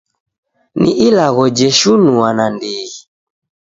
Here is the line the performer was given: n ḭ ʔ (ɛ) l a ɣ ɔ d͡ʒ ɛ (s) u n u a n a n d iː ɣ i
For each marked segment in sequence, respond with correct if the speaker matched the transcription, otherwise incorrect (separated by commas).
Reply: incorrect, incorrect